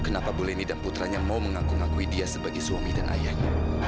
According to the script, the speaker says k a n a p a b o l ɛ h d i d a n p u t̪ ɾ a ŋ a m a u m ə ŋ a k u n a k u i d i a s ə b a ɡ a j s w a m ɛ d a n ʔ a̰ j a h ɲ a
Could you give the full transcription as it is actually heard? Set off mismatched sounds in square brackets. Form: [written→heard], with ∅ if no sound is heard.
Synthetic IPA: k [a→ə] n a p a b o l ɛ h [d→n] i d a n p u t̪ ɾ a [ŋ→ɲ] a m a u m ə ŋ a k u [n→ŋ] a k u i d i a s ə b a ɡ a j s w a m [ɛ→i] d a n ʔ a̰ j a h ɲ a